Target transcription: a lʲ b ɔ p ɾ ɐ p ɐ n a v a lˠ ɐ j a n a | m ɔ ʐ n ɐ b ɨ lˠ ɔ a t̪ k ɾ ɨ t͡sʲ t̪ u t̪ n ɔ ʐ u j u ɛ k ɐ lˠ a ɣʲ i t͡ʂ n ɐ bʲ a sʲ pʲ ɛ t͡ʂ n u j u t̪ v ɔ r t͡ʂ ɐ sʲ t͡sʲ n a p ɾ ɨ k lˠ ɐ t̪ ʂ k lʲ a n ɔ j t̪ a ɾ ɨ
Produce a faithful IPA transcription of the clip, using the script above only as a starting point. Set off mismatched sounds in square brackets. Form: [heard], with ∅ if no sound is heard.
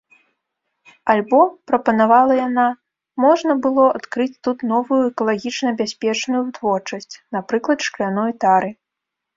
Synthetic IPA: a lʲ b ɔ p ɾ ɐ p ɐ n a v a lˠ ɐ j a n a | m ɔ ʐ n ɐ b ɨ lˠ ɔ a t̪ k ɾ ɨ t͡sʲ t̪ u t̪ n ɔ [v] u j u ɛ k ɐ lˠ a ɣʲ i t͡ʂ n ɐ bʲ a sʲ pʲ ɛ t͡ʂ n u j u t̪ v ɔ r t͡ʂ ɐ sʲ t͡sʲ n a p ɾ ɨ k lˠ ɐ t̪ ʂ k lʲ a n ɔ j t̪ a ɾ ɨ